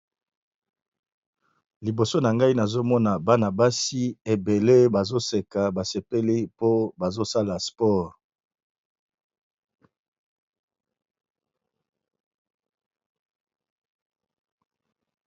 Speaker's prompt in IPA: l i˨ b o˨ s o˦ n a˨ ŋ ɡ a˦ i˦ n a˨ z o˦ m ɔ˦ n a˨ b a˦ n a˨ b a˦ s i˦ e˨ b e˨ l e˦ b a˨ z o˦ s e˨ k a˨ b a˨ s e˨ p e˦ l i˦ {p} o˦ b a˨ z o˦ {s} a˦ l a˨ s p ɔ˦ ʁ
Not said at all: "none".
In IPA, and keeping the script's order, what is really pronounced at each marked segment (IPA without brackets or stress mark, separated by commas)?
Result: p, s